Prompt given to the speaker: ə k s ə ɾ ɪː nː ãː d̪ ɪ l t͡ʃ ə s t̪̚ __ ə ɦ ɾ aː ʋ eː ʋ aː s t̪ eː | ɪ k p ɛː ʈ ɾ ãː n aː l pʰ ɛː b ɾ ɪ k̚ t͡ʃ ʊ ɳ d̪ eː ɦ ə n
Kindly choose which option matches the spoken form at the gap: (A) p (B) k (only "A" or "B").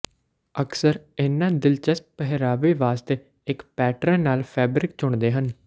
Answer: A